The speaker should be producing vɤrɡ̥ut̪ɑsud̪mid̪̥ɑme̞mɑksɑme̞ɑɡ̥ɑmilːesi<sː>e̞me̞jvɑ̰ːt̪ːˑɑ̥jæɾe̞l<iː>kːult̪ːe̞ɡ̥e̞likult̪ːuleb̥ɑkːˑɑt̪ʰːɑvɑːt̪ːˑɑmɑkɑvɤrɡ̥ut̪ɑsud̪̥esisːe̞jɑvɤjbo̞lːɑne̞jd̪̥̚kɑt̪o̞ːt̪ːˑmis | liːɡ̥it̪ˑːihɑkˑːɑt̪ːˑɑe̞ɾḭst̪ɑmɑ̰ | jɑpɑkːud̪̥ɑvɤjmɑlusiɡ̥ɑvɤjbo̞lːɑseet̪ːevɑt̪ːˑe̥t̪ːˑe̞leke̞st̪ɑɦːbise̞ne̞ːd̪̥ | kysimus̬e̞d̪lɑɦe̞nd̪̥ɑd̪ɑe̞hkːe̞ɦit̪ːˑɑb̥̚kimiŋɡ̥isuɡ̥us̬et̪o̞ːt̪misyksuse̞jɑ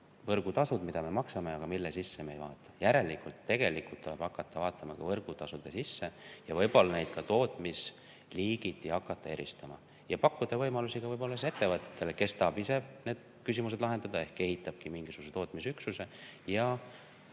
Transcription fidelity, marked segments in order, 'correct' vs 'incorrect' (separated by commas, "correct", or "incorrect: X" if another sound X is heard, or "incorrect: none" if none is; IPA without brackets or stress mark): correct, incorrect: i